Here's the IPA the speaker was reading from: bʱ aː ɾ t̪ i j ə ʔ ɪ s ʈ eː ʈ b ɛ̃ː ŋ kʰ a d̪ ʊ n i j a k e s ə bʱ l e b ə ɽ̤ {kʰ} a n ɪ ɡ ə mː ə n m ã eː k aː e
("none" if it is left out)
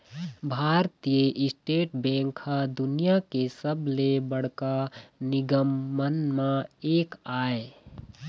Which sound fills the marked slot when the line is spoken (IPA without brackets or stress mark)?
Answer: k